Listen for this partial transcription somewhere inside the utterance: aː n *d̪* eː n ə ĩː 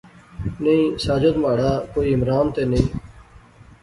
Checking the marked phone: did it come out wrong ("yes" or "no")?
yes